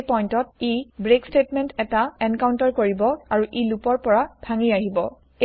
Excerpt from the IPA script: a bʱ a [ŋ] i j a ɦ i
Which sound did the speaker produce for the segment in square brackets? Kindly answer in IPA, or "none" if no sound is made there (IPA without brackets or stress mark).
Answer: ŋ